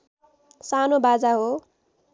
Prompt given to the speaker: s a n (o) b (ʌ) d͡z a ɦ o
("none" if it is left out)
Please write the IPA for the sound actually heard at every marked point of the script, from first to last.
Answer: o, a

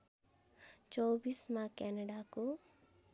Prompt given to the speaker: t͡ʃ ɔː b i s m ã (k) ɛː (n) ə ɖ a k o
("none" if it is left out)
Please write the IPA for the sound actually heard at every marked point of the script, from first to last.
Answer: k, n

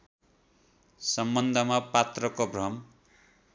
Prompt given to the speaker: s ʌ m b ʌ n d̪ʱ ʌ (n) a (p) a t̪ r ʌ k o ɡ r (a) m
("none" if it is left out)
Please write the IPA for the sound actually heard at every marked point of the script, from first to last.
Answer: m, p, ʌ

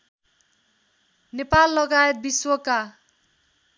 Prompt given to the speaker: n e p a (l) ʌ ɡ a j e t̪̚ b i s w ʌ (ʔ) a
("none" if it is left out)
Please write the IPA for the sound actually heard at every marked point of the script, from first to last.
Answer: lː, k

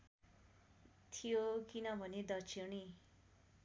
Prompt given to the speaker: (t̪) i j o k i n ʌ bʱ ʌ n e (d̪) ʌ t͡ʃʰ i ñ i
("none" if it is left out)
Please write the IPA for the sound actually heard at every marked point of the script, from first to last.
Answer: t̪ʰ, d̪

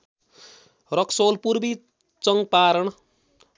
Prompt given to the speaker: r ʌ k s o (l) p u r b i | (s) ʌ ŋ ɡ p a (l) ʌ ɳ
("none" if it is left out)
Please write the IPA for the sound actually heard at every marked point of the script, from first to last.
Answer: l, t͡s, ɾ

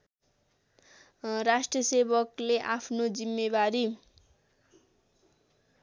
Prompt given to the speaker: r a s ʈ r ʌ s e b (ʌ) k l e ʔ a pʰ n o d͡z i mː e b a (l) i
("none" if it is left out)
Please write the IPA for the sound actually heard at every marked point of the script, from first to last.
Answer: ʌ, ɾ

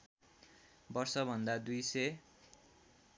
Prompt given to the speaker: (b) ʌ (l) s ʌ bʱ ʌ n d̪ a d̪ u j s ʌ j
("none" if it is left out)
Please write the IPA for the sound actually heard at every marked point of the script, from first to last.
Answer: b, r

